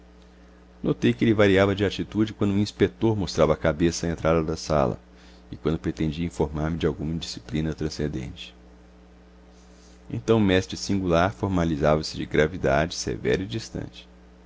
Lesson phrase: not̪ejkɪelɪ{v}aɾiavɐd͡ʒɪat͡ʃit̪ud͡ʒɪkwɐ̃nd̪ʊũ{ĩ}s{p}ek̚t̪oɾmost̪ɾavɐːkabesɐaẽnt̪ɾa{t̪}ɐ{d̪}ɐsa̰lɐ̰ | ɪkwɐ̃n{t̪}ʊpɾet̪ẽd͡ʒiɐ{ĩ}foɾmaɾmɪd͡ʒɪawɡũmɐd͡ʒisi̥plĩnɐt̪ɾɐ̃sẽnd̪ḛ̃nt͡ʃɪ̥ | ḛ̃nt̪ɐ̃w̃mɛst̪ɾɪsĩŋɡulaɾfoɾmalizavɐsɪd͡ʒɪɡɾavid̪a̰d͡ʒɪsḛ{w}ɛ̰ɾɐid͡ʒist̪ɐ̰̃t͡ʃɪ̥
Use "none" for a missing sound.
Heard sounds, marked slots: v, ĩ, p, d̪, d̪, d̪, ĩ, v

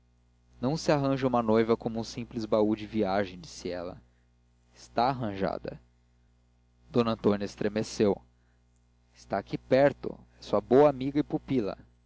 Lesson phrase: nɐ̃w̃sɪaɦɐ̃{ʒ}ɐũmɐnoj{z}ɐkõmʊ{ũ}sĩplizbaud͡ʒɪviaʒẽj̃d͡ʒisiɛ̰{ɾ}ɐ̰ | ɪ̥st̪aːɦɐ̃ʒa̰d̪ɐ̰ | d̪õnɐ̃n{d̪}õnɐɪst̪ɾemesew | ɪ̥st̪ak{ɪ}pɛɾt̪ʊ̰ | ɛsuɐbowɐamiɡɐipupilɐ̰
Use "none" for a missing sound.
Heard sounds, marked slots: ʒ, v, ũ, l, t̪, i

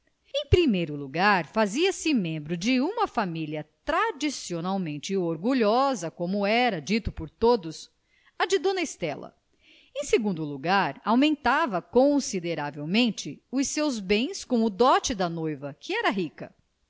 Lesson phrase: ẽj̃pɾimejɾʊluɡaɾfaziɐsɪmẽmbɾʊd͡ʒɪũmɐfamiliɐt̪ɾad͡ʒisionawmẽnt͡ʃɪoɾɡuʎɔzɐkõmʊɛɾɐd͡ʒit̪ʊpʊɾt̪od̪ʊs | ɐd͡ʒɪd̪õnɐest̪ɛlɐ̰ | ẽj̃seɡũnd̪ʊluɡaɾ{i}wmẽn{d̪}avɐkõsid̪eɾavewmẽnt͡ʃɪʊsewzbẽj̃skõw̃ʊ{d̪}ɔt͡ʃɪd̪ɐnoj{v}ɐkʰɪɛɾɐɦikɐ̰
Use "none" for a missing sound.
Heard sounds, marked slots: a, t̪, d̪, v

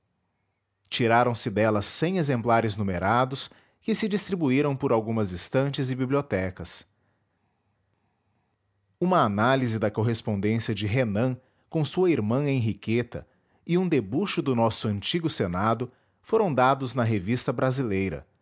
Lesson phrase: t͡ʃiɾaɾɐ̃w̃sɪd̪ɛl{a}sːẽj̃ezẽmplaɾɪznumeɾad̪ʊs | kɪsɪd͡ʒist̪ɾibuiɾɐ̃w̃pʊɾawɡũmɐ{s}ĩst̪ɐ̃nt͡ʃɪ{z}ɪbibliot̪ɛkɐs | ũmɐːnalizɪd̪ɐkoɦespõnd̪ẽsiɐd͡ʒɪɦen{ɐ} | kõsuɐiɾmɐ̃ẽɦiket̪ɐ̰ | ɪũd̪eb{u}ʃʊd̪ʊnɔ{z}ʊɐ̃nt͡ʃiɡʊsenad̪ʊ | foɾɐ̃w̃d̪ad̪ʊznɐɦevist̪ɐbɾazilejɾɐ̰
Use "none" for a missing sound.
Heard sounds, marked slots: ɐ, z, z, ɐ̃, u, s

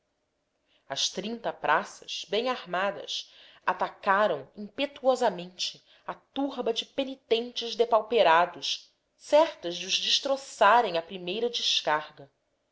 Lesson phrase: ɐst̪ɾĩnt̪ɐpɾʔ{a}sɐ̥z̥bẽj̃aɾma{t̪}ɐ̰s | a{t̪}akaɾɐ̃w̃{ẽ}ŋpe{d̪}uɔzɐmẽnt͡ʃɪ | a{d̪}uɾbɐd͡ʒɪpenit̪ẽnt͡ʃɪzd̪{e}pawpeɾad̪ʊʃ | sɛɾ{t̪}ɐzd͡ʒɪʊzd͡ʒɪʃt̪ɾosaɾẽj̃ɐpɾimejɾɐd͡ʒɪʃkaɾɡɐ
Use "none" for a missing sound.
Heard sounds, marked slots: a, d̪, t̪, ĩ, t̪, t̪, e, t̪

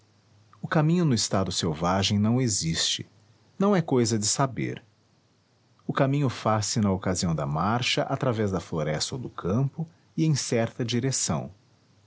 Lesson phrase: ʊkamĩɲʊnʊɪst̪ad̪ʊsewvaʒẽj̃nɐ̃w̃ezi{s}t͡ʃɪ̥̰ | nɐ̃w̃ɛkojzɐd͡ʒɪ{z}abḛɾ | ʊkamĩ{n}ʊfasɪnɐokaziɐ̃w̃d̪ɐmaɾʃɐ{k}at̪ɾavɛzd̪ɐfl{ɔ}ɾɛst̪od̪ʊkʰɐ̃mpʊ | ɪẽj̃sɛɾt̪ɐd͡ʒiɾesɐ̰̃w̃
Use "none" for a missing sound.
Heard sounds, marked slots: s, s, ɲ, ʔ, o

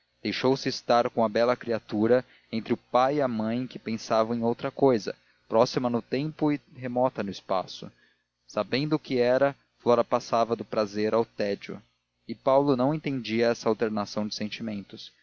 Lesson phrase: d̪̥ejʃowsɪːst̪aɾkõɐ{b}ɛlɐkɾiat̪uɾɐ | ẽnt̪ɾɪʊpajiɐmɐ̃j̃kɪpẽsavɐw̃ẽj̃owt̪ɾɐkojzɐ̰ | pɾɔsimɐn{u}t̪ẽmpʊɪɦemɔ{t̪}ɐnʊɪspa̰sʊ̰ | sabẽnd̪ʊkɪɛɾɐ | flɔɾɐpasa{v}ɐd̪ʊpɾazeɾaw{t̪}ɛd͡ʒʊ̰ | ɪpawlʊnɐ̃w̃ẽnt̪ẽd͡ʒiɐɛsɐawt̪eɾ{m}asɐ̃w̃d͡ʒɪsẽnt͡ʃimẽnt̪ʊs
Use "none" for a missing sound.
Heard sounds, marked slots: b, ʊ, t̪, v, t̪, n

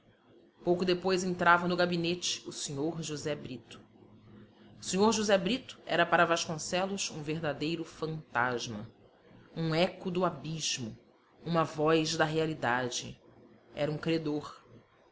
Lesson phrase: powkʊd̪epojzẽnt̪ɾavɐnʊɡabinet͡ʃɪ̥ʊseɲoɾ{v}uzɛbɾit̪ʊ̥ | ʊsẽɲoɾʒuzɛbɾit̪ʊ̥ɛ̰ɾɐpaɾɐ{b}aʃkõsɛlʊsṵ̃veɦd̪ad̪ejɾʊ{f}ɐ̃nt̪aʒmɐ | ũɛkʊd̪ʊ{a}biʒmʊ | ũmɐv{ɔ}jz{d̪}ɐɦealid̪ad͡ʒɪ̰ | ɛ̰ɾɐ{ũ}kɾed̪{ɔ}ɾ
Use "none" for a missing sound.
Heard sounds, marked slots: ʒ, v, f, a, ɔ, d̪, ũ, o

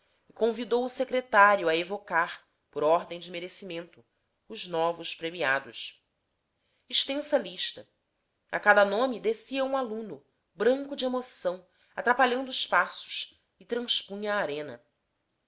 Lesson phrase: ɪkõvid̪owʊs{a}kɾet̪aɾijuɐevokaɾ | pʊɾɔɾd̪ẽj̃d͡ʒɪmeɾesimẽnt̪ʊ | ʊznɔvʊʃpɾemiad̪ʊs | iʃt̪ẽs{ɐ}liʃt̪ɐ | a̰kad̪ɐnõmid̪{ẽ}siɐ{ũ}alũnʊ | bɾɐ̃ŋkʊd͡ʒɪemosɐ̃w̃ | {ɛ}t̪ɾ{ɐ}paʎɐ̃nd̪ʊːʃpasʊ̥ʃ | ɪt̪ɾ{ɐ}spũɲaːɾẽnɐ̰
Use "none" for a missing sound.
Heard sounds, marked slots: e, ɐ, e, ũ, a, a, ɐ̃

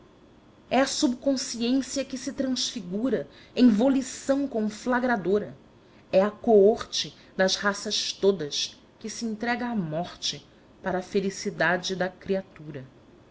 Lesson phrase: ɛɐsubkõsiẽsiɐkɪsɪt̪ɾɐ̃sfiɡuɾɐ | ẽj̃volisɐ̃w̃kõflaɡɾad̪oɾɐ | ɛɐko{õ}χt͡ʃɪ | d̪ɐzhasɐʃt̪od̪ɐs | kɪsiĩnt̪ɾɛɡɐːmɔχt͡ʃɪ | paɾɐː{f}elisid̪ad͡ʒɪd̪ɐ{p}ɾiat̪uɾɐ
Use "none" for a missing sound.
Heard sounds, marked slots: o, f, k

